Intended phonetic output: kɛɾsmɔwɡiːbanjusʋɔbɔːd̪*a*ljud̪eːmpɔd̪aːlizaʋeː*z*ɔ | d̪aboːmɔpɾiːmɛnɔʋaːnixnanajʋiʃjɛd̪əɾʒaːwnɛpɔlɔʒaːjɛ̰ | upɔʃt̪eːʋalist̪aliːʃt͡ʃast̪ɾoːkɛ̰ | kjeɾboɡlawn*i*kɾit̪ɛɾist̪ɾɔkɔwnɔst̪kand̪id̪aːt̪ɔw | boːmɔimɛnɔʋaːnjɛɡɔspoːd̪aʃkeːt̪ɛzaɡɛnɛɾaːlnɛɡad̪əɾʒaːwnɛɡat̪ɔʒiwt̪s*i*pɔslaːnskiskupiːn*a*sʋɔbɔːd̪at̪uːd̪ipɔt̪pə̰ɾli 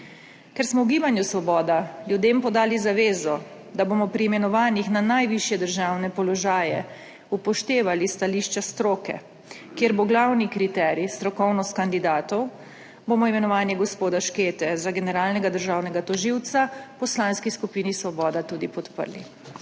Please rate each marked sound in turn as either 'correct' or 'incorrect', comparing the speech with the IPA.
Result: correct, correct, correct, incorrect, incorrect

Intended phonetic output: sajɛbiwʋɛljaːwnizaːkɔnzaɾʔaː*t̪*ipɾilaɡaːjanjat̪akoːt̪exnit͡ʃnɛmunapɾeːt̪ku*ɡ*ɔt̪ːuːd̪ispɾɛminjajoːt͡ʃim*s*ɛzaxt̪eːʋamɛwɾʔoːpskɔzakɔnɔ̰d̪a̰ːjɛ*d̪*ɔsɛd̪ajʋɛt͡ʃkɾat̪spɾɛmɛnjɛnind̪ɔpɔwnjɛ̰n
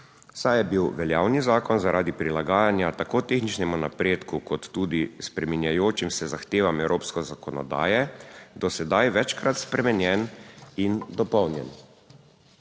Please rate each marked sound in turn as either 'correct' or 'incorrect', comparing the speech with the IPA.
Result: incorrect, incorrect, correct, correct

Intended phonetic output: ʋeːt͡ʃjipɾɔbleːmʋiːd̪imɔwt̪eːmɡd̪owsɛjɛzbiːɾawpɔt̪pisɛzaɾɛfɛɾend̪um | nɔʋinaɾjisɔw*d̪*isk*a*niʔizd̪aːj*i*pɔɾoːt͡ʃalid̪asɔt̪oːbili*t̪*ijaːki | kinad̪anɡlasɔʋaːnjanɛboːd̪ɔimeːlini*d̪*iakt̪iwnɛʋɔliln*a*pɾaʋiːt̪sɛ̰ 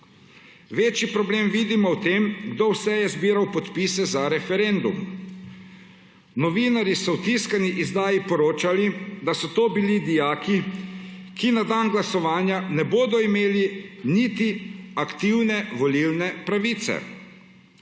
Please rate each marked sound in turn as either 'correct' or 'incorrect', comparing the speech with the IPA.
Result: incorrect, correct, correct, incorrect, incorrect, incorrect

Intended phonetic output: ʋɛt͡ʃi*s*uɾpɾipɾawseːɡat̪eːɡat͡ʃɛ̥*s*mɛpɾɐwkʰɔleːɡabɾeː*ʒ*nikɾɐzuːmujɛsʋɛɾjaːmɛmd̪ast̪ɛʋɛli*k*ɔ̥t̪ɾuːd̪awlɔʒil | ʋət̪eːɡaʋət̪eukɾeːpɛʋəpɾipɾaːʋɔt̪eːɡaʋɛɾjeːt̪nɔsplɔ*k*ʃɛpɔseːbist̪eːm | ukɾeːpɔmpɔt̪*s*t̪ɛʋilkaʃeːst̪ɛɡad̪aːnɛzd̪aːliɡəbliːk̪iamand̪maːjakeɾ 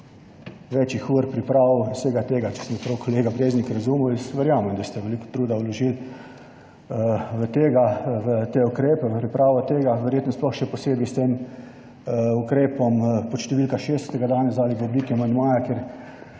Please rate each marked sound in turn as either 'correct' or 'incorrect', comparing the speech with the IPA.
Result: incorrect, correct, incorrect, correct, incorrect, incorrect

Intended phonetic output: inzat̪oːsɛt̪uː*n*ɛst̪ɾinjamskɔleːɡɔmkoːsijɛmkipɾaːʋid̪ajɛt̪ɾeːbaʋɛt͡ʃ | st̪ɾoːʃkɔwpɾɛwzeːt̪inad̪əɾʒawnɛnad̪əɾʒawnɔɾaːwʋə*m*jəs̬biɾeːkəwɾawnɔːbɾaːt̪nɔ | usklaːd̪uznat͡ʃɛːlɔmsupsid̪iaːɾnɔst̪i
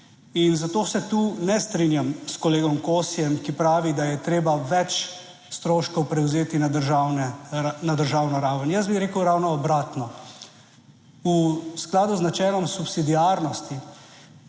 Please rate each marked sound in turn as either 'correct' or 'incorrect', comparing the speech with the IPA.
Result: correct, incorrect

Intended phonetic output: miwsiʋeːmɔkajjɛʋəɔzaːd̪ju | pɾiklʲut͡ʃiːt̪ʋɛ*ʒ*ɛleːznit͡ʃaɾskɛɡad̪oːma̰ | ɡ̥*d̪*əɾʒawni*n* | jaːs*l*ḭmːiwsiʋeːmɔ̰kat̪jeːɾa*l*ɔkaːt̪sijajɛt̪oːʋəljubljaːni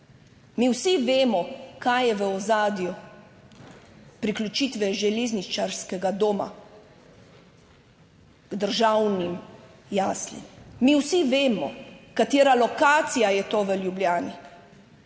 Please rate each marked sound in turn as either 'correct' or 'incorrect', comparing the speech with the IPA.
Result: correct, correct, incorrect, correct, correct

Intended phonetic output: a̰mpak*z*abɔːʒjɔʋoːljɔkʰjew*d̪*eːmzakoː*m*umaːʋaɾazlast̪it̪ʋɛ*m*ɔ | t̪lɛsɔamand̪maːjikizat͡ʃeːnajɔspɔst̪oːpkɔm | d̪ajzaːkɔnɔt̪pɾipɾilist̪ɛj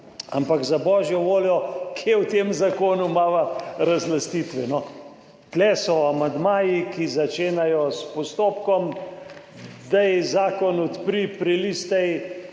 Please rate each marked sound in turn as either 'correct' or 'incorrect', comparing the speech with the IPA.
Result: correct, incorrect, incorrect, incorrect

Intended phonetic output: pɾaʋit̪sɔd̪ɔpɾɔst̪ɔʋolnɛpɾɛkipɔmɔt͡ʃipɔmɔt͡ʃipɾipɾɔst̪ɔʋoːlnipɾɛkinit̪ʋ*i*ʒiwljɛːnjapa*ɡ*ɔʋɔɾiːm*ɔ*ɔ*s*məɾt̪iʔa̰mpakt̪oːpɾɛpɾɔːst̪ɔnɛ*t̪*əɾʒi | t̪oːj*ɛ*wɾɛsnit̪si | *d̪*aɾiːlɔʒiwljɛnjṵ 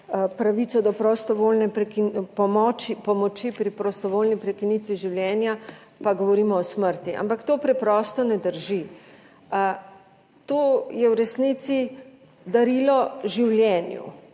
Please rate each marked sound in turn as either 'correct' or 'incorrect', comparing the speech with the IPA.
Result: correct, correct, correct, correct, incorrect, correct, correct

